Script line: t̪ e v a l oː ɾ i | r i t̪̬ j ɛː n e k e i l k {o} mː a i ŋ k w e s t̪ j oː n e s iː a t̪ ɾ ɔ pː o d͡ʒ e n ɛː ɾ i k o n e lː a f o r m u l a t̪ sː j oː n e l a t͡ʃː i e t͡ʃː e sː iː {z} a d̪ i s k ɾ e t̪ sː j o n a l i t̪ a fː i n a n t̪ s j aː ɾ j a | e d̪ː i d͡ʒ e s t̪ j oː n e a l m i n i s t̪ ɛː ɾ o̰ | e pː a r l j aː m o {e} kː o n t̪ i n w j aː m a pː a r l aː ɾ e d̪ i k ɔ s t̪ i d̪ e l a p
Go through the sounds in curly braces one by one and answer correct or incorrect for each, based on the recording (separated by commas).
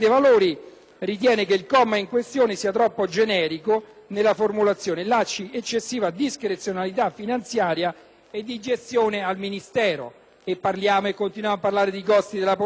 incorrect, incorrect, correct